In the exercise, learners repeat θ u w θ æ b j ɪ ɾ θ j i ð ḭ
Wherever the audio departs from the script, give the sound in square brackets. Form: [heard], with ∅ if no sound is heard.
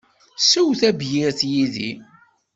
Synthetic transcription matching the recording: [s] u w θ æ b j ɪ ɾ θ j i ð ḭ